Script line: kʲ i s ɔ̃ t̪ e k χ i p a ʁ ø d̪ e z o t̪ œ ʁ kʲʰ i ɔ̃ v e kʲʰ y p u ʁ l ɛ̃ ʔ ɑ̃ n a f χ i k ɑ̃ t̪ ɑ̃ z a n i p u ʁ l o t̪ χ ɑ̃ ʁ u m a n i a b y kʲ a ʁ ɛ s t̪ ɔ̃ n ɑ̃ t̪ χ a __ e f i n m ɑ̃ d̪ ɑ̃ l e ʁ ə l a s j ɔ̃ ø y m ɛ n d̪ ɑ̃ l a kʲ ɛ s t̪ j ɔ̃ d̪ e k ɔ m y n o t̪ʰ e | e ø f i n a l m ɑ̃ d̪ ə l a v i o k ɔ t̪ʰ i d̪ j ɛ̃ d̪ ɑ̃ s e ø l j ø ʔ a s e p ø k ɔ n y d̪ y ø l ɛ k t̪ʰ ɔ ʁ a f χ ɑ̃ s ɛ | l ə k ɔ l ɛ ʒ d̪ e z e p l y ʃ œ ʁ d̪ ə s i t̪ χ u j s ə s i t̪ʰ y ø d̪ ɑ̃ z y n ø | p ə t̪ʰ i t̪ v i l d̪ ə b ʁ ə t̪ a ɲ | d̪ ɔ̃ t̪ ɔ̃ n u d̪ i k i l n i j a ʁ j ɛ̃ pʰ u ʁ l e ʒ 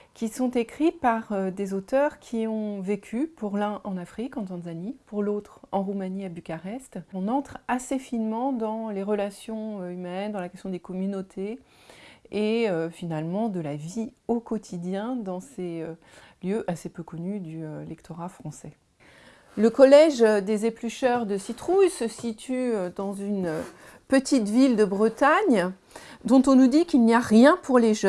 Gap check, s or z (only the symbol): s